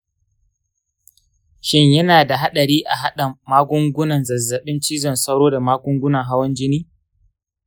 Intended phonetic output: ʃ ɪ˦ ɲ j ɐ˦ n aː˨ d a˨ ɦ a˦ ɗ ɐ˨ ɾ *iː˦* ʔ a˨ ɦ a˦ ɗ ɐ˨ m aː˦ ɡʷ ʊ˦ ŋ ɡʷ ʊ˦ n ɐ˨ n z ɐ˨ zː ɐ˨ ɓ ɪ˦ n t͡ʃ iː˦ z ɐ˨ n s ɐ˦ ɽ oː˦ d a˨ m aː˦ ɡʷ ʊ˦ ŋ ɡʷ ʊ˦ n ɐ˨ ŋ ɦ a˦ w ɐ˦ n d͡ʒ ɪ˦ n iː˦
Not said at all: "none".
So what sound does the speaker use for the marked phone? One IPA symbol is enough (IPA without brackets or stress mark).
iː˦